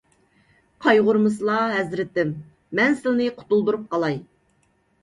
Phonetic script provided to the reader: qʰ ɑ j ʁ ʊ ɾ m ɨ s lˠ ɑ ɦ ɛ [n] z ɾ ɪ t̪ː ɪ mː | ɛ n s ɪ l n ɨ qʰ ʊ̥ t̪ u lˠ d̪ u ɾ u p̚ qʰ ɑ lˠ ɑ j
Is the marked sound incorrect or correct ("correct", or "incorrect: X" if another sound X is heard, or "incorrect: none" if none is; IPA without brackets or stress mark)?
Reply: incorrect: none